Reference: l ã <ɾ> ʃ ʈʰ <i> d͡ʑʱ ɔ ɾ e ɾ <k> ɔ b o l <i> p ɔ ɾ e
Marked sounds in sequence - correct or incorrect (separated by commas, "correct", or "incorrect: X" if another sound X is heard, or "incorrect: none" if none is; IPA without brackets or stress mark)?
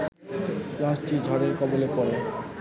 incorrect: none, correct, correct, incorrect: e